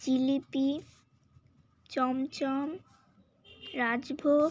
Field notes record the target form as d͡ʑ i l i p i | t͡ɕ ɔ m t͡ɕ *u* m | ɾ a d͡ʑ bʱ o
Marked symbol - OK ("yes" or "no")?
no